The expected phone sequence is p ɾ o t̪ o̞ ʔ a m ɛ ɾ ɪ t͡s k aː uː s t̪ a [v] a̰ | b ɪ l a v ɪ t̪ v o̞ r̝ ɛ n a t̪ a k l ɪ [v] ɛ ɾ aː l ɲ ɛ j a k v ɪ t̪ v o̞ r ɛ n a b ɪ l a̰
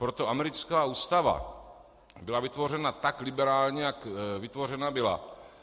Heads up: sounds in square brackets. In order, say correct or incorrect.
correct, incorrect

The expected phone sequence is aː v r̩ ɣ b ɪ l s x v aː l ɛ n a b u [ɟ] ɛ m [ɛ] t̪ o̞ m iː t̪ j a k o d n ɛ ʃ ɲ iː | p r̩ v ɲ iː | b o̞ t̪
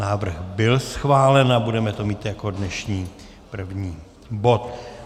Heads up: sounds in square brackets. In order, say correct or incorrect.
incorrect, correct

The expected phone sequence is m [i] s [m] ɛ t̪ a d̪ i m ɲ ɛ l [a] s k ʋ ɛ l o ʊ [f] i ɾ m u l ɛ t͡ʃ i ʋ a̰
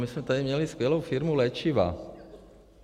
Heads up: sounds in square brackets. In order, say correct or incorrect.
correct, correct, incorrect, correct

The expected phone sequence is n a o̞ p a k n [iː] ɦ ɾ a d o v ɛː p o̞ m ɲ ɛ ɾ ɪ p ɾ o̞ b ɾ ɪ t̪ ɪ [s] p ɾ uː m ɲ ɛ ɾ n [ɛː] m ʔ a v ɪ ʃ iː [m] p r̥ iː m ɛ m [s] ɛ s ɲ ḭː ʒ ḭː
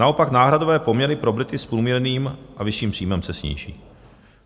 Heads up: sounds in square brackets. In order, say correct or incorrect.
incorrect, correct, incorrect, correct, correct

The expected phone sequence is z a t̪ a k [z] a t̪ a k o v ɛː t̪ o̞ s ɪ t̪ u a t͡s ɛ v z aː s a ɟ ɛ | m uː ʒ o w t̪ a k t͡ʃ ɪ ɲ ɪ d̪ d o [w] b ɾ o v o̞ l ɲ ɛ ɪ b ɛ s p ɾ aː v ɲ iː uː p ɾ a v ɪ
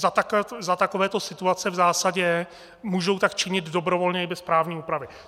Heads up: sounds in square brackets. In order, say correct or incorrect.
correct, incorrect

